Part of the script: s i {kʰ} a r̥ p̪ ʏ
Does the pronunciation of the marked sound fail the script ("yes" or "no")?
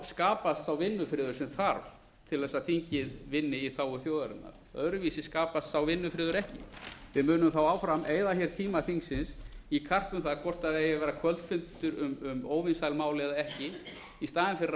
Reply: no